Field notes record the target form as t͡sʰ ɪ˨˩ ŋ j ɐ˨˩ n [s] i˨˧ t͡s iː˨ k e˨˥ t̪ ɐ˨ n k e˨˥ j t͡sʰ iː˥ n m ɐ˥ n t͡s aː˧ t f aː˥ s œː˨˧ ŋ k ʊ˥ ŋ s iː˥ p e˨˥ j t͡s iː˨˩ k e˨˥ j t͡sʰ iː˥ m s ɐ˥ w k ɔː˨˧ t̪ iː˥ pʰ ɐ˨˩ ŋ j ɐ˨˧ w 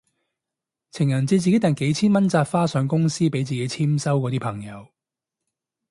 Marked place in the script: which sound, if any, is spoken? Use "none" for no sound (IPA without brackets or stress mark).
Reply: t͡s